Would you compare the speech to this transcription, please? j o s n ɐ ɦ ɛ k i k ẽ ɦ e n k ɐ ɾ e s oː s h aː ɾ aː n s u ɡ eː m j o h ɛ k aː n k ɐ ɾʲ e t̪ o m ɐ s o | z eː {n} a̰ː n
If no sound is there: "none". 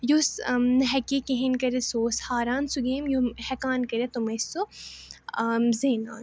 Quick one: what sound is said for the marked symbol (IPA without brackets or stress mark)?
n